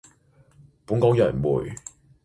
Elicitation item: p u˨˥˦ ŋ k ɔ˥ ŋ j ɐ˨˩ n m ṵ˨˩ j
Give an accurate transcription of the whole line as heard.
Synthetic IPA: p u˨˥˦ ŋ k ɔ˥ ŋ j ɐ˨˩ n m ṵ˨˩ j